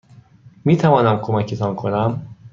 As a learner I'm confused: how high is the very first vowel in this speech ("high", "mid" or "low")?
high